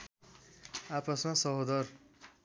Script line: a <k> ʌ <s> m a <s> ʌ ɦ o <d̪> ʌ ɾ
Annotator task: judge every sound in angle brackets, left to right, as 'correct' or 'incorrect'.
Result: incorrect: p, correct, correct, correct

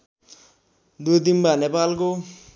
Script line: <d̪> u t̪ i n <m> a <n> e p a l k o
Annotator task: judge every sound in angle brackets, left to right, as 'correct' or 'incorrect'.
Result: correct, incorrect: b, correct

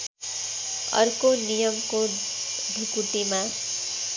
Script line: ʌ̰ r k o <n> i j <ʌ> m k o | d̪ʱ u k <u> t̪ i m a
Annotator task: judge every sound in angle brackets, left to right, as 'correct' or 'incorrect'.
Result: correct, correct, correct

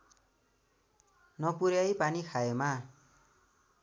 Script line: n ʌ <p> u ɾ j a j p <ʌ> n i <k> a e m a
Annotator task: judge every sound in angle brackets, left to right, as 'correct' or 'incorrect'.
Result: correct, incorrect: a, incorrect: kʰ

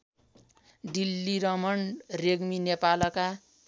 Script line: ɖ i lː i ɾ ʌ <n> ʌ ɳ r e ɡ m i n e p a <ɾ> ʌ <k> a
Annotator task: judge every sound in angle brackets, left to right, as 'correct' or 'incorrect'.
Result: incorrect: m, incorrect: l, correct

